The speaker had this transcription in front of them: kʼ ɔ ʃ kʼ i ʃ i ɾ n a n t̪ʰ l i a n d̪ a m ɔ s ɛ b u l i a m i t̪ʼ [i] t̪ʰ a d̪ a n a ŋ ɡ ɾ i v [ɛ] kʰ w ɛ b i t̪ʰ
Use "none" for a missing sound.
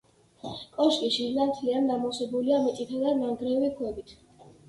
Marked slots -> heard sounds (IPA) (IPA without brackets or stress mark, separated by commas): i, i